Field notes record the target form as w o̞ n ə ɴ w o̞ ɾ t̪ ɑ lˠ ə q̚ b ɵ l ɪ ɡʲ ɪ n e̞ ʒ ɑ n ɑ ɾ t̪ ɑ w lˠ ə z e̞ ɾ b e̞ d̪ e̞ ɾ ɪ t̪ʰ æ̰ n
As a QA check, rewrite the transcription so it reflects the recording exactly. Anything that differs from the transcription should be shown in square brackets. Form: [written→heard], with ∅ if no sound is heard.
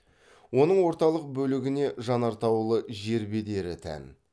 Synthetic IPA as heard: w o̞ n ə ɴ w o̞ ɾ t̪ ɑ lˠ ə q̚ b ɵ l ɪ ɡʲ ɪ n e̞ ʒ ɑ n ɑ ɾ t̪ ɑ w lˠ ə [z→ʒ] e̞ ɾ b e̞ d̪ e̞ ɾ ɪ t̪ʰ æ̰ n